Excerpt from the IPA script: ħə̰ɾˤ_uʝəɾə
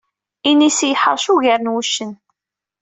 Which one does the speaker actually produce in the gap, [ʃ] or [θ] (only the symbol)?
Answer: ʃ